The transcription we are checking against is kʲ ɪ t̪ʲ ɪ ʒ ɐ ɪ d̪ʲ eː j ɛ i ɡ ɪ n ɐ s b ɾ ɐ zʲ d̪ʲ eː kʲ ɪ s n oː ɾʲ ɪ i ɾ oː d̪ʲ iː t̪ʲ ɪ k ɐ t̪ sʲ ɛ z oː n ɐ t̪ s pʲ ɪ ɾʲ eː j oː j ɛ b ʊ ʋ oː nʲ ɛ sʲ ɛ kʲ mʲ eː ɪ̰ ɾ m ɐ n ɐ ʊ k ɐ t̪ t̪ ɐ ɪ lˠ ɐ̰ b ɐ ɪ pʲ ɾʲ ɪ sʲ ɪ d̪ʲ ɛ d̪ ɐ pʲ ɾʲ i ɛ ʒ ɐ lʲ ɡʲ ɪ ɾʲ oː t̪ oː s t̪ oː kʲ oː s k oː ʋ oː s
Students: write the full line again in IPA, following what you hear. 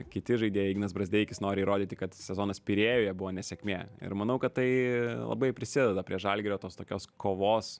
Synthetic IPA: kʲ ɪ t̪ʲ ɪ ʒ ɐ ɪ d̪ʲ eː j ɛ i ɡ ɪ n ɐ s b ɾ ɐ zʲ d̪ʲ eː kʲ ɪ s n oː ɾʲ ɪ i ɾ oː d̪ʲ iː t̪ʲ ɪ k ɐ t̪ sʲ ɛ z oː n ɐ s pʲ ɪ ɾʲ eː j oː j ɛ b ʊ ʋ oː nʲ ɛ sʲ ɛ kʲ mʲ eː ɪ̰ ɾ m ɐ n ɐ ʊ k ɐ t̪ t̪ ɐ ɪ lˠ ɐ̰ b ɐ ɪ pʲ ɾʲ ɪ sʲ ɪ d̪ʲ ɛ d̪ ɐ pʲ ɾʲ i ɛ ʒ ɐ lʲ ɡʲ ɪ ɾʲ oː t̪ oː s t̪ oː kʲ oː s k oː ʋ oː s